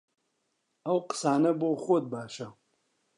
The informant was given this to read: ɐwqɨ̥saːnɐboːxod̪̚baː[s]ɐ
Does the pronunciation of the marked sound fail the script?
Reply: yes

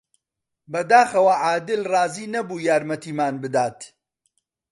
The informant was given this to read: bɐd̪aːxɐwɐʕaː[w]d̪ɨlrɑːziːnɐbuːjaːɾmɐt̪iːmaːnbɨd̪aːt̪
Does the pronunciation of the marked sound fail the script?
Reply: yes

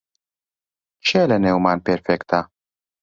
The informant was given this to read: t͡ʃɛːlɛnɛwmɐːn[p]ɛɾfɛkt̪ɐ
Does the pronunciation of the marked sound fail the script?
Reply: no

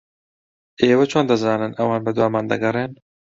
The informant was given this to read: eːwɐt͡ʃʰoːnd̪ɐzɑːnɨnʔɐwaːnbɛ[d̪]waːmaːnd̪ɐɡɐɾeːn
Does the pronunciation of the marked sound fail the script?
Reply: no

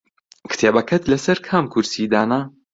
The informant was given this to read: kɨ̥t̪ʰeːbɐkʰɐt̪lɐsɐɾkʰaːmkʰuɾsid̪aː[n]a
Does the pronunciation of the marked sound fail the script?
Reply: no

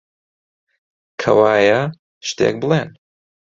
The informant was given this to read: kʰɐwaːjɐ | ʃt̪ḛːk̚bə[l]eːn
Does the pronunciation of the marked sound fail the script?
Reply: no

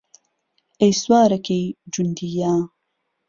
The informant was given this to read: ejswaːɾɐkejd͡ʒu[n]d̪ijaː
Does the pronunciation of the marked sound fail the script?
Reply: no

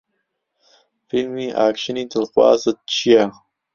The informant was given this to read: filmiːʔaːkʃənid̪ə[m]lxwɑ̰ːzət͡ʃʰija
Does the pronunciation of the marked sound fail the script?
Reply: yes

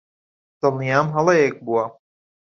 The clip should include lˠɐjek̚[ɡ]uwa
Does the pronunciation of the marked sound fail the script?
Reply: yes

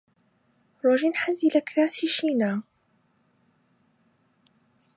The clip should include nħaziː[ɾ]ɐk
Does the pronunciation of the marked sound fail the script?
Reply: yes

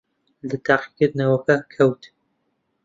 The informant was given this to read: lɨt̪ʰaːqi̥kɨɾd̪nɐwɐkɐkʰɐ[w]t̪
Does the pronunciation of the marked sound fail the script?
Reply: no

